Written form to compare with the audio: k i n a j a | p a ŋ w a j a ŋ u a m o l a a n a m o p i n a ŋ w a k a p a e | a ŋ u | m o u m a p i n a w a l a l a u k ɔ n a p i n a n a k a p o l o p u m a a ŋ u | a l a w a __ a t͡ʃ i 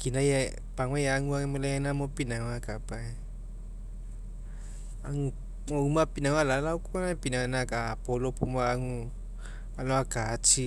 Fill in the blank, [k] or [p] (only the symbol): k